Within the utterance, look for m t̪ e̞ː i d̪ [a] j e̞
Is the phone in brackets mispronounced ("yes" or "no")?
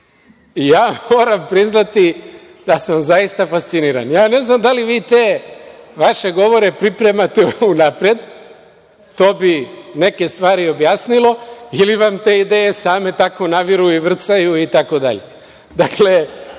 yes